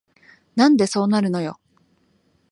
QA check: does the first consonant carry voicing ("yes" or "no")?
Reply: yes